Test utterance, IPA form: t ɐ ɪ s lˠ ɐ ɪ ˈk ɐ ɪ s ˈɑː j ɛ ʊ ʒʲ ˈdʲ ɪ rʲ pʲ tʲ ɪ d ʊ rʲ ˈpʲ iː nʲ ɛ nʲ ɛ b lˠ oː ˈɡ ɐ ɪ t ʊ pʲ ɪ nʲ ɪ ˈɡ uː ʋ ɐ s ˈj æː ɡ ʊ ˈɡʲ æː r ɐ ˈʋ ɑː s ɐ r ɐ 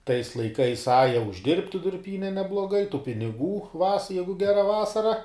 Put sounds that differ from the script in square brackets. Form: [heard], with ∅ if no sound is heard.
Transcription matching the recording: t ɐ ɪ s lˠ ɐ ɪ ˈk ɐ ɪ s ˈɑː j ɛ ʊ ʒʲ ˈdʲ ɪ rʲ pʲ tʲ ɪ d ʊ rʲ ˈpʲ iː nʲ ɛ nʲ ɛ b lˠ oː ˈɡ ɐ ɪ t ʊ pʲ ɪ nʲ ɪ ˈɡ uː ʋ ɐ s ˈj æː ɡ ʊ ˈɡʲ æː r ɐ ˈʋ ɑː s ɐ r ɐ